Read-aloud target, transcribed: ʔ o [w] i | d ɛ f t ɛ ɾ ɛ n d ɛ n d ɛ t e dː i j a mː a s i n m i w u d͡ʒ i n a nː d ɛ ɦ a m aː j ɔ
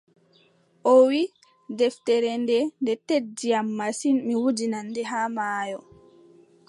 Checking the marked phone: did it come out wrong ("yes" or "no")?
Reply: no